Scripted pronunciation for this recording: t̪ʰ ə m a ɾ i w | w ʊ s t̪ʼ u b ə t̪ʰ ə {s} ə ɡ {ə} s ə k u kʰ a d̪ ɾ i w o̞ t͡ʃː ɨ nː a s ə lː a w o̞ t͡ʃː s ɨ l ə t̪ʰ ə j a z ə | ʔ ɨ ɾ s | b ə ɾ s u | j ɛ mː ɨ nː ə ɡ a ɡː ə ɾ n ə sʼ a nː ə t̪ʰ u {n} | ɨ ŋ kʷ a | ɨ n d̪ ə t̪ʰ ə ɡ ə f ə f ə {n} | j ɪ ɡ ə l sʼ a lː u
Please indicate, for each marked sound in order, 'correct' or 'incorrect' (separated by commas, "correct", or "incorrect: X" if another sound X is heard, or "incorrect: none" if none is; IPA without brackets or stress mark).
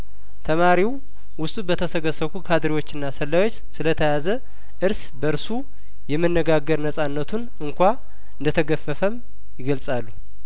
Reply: correct, correct, correct, incorrect: m